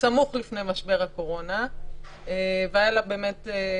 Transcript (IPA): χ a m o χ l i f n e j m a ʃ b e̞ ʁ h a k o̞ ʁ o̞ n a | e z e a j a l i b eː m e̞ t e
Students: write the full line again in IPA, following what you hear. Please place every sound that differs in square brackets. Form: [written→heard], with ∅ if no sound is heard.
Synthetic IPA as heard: [χ→s] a m [o→u] χ l i f n e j m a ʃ b e̞ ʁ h a k o̞ ʁ o̞ n a | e [z→v] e a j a l [i→a] b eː m e̞ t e